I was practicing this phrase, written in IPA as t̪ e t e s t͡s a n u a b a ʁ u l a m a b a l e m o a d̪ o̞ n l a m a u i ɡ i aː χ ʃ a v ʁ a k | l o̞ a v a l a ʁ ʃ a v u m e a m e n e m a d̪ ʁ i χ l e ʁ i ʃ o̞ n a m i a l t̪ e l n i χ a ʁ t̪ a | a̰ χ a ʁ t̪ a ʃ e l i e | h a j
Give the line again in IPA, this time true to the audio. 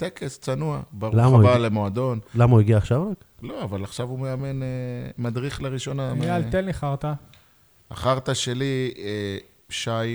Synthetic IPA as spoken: t̪ e k e s t͡s a n u a b a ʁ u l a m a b a l e m o a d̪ o̞ n l a m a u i ɡ i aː χ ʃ a v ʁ a k | l o̞ a v a l a χ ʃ a v u m e a m e n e m a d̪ ʁ i χ l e ʁ i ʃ o̞ n a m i a l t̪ e l n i χ a ʁ t̪ a | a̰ χ a ʁ t̪ a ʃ e l i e | ʃ a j